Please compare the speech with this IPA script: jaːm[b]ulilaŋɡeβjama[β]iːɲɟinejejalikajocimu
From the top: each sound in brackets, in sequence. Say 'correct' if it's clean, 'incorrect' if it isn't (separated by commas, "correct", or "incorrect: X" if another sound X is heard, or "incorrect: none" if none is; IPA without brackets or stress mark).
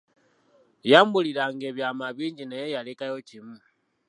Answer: correct, correct